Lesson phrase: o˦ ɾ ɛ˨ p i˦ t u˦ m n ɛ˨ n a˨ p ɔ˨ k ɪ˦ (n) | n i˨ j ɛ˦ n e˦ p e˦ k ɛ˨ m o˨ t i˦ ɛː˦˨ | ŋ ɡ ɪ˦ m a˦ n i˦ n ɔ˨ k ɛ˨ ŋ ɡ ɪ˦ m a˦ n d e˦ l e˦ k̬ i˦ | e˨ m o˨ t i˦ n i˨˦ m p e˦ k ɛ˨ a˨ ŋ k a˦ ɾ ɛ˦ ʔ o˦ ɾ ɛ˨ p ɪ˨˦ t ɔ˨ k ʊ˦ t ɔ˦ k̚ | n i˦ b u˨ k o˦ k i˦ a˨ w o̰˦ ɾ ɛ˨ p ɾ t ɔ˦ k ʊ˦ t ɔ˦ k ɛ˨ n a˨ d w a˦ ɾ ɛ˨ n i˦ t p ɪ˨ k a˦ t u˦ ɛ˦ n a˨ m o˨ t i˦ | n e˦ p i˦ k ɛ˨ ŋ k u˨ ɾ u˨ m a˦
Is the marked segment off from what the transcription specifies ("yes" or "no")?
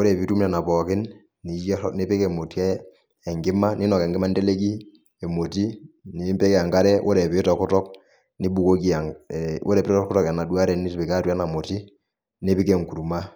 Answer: no